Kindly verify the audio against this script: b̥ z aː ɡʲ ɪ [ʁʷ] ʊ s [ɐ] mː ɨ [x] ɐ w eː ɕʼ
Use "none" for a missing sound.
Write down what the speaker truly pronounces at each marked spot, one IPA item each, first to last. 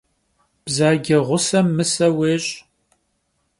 ʁʷ, ɐ, s

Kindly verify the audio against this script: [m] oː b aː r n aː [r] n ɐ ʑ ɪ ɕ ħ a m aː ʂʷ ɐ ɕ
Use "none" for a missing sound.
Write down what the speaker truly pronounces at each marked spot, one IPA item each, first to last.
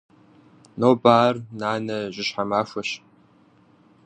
n, none

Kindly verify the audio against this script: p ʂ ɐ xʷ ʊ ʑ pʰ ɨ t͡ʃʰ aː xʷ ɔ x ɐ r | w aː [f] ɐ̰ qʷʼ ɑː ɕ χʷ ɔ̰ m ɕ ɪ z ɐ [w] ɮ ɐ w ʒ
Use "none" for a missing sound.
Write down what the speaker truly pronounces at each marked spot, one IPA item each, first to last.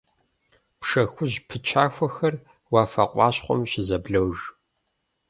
f, b

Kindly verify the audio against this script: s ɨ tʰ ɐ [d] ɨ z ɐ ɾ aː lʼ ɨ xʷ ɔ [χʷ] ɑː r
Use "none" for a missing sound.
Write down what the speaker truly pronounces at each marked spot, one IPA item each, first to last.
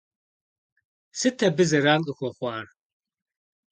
b, χʷ

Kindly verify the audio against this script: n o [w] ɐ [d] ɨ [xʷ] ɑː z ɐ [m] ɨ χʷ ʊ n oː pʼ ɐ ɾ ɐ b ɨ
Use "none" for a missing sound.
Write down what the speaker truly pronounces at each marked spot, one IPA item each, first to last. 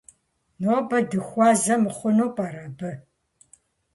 b, d, xʷ, m

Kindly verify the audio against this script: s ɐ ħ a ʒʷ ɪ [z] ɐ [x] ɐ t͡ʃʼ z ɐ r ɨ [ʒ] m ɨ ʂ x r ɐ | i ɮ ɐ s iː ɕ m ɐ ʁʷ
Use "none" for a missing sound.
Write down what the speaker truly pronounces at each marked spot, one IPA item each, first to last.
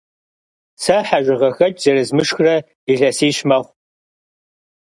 ʁ, x, z

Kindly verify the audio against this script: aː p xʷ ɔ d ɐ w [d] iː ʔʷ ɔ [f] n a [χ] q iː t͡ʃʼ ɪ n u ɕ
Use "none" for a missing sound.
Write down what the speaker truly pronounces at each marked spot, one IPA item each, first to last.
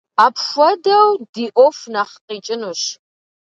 d, f, χ

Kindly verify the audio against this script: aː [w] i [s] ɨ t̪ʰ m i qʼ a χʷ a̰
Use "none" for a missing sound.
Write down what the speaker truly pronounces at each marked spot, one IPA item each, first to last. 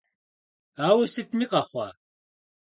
w, s

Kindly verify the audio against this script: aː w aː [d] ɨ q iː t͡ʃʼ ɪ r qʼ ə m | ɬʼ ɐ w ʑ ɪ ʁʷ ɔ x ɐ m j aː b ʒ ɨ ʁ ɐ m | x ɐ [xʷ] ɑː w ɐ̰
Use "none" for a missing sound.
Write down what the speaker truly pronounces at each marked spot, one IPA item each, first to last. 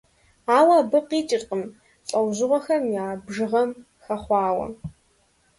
b, χʷ

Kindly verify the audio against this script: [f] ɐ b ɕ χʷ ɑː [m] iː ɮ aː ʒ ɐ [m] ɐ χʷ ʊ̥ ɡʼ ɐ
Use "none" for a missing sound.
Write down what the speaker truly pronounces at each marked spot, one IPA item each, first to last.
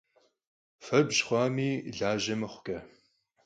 f, m, m

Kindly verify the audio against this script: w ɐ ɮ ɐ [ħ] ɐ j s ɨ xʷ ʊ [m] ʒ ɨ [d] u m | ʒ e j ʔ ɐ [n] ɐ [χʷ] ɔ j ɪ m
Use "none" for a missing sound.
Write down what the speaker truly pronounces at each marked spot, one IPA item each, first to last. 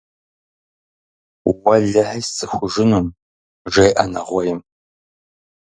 ħ, none, n, n, ʁʷ

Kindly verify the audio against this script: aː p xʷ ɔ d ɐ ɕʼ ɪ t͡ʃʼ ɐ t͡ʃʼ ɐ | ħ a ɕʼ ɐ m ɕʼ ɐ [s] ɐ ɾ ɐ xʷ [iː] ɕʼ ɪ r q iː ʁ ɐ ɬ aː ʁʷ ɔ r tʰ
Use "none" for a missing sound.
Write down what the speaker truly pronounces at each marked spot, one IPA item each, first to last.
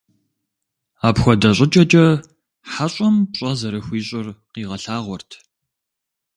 z, iː

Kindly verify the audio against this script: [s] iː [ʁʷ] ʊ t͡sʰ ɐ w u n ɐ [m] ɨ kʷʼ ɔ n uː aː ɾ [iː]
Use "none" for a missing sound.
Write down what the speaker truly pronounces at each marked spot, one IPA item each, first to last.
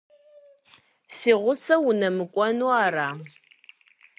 s, ʁʷ, m, aː

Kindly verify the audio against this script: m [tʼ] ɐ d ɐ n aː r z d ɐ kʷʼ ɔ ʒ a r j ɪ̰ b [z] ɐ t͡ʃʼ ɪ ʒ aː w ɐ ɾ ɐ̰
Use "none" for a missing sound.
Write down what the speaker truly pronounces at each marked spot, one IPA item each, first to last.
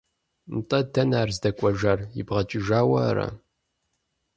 tʼ, ʁ

